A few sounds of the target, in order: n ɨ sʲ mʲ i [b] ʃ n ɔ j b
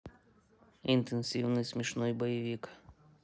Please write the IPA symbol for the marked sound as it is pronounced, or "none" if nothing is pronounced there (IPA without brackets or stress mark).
none